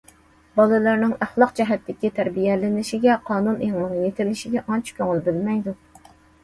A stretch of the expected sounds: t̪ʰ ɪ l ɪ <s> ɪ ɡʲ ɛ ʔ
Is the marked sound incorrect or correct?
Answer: incorrect